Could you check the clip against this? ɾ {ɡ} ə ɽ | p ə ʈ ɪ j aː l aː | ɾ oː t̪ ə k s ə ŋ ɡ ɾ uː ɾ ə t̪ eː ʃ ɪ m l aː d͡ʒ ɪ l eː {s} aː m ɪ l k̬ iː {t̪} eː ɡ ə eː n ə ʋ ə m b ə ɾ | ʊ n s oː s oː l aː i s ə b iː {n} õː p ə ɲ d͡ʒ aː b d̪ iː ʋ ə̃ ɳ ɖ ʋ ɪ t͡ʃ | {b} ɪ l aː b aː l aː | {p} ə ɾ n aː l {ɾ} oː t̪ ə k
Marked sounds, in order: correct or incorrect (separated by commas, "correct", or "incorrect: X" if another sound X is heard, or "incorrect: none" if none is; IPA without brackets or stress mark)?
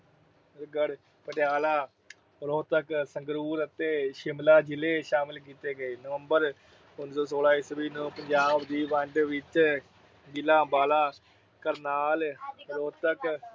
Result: correct, incorrect: ʃ, correct, correct, incorrect: ɡ, incorrect: k, correct